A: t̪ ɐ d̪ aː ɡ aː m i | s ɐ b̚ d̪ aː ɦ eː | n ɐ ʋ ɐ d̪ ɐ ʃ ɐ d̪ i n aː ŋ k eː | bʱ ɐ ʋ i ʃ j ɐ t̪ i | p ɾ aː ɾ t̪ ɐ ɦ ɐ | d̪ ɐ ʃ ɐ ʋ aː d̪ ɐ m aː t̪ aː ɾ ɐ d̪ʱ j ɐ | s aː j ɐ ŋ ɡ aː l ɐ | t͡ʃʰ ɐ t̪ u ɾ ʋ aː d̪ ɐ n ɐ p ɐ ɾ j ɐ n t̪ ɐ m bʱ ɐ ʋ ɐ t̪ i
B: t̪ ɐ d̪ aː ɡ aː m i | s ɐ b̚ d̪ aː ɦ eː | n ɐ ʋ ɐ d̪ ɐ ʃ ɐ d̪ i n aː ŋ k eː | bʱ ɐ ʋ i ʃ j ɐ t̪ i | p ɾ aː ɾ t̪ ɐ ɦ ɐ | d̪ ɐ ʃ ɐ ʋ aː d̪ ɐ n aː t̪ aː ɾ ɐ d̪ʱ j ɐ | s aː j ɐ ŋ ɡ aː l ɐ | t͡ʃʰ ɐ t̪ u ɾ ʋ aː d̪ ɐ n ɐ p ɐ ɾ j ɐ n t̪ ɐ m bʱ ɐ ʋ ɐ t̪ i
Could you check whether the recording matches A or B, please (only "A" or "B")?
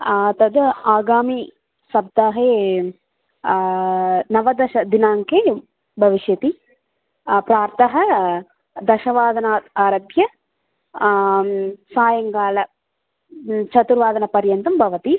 B